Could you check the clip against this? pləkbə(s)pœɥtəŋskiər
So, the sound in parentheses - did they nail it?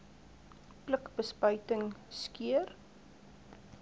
yes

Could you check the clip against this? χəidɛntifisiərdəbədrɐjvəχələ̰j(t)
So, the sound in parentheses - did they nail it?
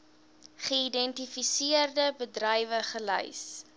no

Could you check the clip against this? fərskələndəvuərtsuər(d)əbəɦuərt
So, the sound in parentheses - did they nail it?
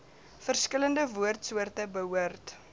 no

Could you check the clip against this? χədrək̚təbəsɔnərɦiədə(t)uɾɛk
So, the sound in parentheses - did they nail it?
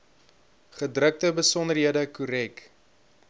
no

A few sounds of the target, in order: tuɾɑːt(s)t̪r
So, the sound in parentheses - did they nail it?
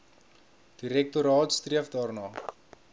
yes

